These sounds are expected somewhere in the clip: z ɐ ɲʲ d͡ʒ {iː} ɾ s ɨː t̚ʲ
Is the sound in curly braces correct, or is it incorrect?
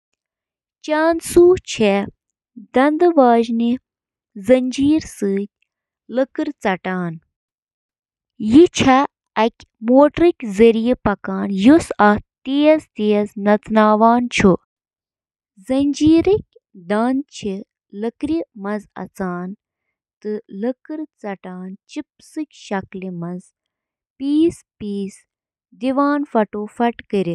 correct